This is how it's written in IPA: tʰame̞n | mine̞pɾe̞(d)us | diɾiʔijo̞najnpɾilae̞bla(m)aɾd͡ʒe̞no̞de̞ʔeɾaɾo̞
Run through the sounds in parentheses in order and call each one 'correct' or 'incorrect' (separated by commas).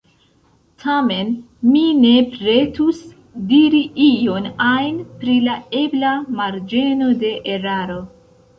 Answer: incorrect, correct